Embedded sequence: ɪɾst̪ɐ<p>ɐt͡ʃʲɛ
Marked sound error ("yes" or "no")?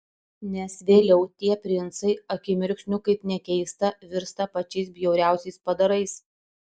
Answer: no